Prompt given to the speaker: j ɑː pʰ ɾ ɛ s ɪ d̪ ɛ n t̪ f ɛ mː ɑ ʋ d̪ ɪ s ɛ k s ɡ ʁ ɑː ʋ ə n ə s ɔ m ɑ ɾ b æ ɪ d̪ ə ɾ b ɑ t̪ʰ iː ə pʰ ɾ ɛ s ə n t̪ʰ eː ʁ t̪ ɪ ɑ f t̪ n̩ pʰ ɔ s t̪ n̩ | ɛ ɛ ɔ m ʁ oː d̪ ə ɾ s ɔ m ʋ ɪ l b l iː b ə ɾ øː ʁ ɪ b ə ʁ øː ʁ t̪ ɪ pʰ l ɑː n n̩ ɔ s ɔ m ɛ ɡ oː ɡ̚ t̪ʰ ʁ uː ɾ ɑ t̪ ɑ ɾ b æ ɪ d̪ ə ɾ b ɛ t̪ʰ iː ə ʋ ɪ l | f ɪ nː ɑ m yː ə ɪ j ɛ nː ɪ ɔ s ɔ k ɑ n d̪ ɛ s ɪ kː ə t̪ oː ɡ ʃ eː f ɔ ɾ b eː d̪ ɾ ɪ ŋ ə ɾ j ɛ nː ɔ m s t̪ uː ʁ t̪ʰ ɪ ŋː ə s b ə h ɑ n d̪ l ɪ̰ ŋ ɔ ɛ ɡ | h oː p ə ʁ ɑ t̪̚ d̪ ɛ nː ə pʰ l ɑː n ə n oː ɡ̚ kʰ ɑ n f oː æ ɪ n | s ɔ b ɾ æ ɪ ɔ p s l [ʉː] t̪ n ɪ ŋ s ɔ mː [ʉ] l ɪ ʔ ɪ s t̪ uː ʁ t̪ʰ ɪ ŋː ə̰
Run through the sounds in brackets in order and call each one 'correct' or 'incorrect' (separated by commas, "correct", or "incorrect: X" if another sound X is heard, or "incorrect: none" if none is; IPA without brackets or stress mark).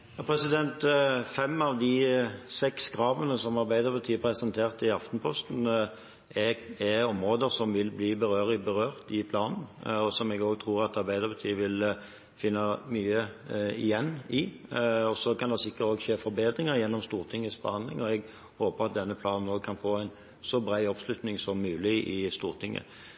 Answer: incorrect: ʉ, incorrect: ʉː